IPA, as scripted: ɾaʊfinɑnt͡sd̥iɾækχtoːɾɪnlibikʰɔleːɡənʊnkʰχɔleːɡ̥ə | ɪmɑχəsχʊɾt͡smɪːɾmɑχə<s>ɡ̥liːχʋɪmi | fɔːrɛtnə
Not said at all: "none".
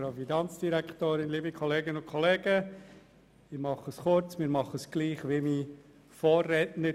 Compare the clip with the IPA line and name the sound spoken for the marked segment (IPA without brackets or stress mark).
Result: s